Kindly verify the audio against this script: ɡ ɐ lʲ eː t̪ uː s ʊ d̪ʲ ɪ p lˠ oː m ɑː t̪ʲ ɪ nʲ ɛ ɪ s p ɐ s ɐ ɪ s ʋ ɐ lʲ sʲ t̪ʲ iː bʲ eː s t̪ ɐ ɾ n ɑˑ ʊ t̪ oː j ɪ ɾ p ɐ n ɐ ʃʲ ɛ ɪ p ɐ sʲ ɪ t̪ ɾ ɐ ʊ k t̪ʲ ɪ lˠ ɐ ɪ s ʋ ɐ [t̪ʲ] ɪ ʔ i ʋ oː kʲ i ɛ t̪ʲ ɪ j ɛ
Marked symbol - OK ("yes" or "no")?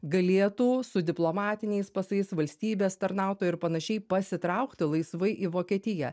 no